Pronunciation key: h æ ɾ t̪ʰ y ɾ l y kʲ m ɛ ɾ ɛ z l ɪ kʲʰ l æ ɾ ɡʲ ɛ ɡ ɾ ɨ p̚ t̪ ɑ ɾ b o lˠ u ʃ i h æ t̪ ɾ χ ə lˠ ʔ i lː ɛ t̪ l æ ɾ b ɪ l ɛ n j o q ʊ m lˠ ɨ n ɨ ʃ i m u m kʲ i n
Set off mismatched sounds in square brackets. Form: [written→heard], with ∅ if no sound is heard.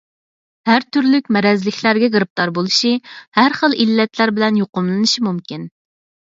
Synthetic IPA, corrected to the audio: h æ ɾ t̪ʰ y ɾ l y kʲ m ɛ ɾ ɛ z l ɪ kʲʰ l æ ɾ ɡʲ ɛ ɡ ɾ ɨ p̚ t̪ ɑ ɾ b o lˠ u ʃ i h æ [t̪→∅] ɾ χ ə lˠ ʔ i lː ɛ t̪ l æ ɾ b ɪ l ɛ n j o q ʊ m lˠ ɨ n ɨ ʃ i m u m kʲ i n